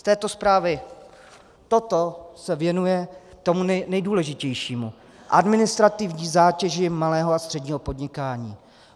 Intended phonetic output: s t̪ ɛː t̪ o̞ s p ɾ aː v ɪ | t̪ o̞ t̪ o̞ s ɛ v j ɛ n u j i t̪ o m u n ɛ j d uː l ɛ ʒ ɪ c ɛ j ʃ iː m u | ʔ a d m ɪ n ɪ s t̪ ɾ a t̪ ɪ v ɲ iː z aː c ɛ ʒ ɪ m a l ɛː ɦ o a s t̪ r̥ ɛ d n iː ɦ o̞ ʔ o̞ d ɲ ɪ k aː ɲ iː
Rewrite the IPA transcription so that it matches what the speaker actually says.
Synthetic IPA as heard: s t̪ ɛː t̪ o̞ s p ɾ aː v ɪ | t̪ o̞ t̪ o̞ s ɛ v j ɛ n u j ɛ t̪ o m u n ɛ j d uː l ɛ ʒ ɪ c ɛ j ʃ iː m u | ʔ a d m ɪ n ɪ s t̪ ɾ a t̪ ɪ v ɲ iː z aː c ɛ ʒ ɪ m a l ɛː ɦ o a s t̪ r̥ ɛ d ɲ iː ɦ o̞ p o̞ d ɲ ɪ k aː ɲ iː

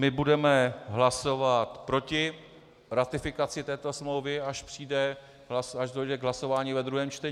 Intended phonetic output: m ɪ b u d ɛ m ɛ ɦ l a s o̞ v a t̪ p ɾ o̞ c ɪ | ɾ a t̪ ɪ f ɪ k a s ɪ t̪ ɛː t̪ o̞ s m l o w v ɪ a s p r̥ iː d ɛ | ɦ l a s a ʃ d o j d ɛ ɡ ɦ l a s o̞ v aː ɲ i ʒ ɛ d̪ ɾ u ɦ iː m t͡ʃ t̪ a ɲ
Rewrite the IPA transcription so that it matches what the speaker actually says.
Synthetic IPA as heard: m ɪ b u d ɛ m ɛ ɦ l a s o̞ v a t̪ p ɾ o̞ c ɪ | ɾ a t̪ ɪ f ɪ k a t͡s ɪ t̪ ɛː t̪ o̞ s m l o w v ɪ a ʃ p r̥ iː d ɛ | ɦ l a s a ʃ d o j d ɛ ɡ ɦ l a s o̞ v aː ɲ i v ɛ d̪ ɾ u ɦ ɛː m t͡ʃ t̪ ɛ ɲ

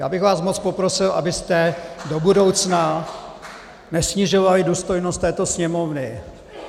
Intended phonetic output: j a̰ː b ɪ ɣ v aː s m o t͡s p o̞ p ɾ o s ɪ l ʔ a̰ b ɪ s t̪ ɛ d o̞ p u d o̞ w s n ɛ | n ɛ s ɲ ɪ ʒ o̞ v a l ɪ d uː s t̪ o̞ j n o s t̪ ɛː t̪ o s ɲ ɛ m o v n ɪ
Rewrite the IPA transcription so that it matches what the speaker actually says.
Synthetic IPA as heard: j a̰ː b ɪ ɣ v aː s m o t͡s p o̞ p ɾ o s ɪ l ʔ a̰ b ɪ s t̪ ɛ d o̞ b u d o̞ w t͡s n a | n ɛ s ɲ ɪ ʒ o̞ v a l ɪ d uː s t̪ o̞ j n o s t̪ ɛː t̪ o s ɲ ɛ m o v n ɪ

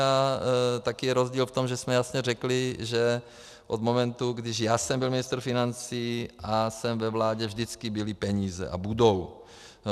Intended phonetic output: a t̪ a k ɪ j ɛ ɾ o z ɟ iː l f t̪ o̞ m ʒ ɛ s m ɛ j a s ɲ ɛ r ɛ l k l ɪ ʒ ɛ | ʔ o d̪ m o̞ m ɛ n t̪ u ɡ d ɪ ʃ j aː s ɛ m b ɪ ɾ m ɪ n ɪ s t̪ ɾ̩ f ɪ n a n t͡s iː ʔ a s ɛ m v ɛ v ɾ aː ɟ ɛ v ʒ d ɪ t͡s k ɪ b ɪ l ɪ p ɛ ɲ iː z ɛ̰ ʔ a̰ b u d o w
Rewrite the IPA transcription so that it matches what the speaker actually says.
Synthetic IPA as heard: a t̪ a k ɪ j ɛ ɾ o z ɟ iː l f t̪ o̞ m ʒ ɛ s m ɛ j a s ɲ ɛ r ɛ k l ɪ ʒ ɛ | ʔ o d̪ m o̞ m ɛ n t̪ u ɡ d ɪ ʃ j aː s ɛ m b ɪ l m ɪ n ɪ s t̪ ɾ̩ f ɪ n a n t͡s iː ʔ a s ɛ m v ɛ v l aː ɟ ɛ v ʒ d ɪ t͡s k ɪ b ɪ l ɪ p ɛ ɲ iː z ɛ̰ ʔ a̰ b u d o w

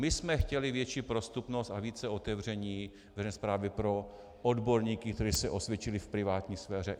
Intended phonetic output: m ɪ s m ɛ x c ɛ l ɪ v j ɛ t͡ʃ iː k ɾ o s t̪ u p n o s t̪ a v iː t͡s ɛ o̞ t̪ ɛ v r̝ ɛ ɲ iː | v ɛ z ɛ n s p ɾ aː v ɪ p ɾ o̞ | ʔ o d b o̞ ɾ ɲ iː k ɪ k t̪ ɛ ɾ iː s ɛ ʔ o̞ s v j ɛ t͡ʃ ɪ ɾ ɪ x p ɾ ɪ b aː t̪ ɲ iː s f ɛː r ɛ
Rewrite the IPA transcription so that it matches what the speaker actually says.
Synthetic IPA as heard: m ɪ s m ɛ x c ɛ l ɪ v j ɛ t͡ʃ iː p ɾ o s t̪ u p n o s t̪ a v iː t͡s ɛ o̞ t̪ ɛ v r̝ ɛ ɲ iː | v ɛ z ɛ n s p ɾ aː v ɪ p ɾ o̞ | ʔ o d b o̞ ɾ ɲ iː k ɪ k t̪ ɛ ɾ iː s ɛ ʔ o̞ s v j ɛ t͡ʃ ɪ l ɪ f p ɾ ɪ v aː t̪ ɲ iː s f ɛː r ɛ

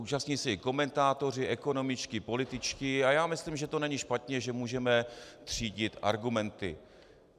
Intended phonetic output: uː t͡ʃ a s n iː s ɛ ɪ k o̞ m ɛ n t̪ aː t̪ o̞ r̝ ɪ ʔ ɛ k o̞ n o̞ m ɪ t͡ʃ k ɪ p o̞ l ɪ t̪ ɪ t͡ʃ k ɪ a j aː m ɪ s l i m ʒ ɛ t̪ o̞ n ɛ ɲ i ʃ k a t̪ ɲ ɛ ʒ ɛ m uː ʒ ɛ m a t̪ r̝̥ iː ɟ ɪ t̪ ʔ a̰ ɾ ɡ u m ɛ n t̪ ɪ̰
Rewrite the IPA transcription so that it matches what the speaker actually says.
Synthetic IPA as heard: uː t͡ʃ a s ɲ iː s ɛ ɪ k o̞ m ɛ n t̪ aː t̪ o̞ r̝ ɪ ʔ ɛ k o̞ n o̞ m ɪ t͡ʃ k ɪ p o̞ l ɪ t̪ ɪ t͡ʃ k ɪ a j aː m ɪ s l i m ʒ ɛ t̪ o̞ n ɛ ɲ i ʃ p a t̪ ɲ ɛ ʒ ɛ m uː ʒ ɛ m ɛ t̪ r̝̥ iː ɟ ɪ t̪ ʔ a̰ ɾ ɡ u m ɛ n t̪ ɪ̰

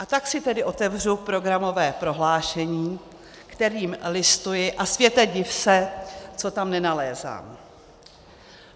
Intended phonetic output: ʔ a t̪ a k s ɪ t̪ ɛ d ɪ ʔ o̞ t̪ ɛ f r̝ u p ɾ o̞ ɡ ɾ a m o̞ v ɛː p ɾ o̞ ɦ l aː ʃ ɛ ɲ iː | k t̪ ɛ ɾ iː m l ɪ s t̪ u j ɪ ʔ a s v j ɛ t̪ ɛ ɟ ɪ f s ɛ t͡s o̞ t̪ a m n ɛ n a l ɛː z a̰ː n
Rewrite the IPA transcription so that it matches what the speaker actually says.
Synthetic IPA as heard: ʔ a t̪ a k s ɪ t̪ ɛ d ɪ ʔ o̞ t̪ ɛ v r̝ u p ɾ o̞ ɡ ɾ a m o̞ v ɛː p ɾ o̞ ɦ l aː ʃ ɛ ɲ iː | k t̪ ɛ ɾ iː m l ɪ s t̪ u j ɪ ʔ a s v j ɛ t̪ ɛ ɟ ɪ f s ɛ t͡s o̞ t̪ a m n ɛ n a l ɛː z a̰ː m

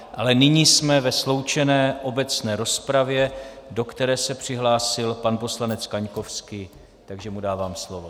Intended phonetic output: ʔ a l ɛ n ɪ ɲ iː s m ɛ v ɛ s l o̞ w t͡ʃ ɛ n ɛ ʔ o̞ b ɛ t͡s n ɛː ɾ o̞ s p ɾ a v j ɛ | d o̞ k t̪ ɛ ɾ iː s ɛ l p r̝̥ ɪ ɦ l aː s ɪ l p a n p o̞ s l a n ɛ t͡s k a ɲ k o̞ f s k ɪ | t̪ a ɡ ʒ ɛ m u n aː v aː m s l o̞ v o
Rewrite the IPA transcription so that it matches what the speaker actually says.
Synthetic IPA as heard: ʔ a l ɛ n ɪ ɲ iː s m ɛ v ɛ s l o̞ w t͡ʃ ɛ n ɛː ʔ o̞ b ɛ t͡s n ɛː ɾ o̞ s p ɾ a v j ɛ | d o̞ k t̪ ɛ ɾ ɛː s ɛ p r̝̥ ɪ ɦ l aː s ɪ l p a n p o̞ s l a n ɛ t͡s k a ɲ k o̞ f s k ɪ | t̪ a ɡ ʒ ɛ m u d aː v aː m s l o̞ v o

